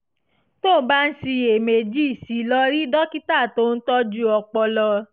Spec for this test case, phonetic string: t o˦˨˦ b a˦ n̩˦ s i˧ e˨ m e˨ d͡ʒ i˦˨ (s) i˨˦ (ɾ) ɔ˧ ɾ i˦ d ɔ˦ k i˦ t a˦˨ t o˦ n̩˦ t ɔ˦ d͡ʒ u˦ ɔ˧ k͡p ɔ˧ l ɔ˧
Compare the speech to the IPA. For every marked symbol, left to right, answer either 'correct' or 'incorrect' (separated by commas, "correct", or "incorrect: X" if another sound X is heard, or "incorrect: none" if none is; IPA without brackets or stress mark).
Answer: correct, incorrect: l